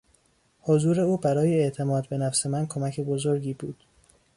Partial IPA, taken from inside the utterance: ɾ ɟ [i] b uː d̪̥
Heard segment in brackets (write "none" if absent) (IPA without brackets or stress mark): iː